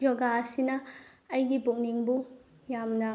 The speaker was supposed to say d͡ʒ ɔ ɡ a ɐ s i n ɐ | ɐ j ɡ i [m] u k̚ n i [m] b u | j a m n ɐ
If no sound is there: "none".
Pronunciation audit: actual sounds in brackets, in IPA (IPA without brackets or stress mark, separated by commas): b, ŋ